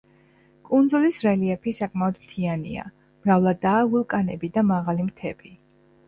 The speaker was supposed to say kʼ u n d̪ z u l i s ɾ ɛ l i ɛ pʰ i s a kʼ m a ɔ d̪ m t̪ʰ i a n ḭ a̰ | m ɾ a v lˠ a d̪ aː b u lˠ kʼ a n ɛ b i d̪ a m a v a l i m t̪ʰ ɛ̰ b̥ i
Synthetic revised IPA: kʼ u n d̪ z u l i s ɾ ɛ l i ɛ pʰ i s a kʼ m a ɔ d̪ m t̪ʰ i a n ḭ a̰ | m ɾ a v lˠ a d̪ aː v u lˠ kʼ a n ɛ b i d̪ a m a ʁ a l i m t̪ʰ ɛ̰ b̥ i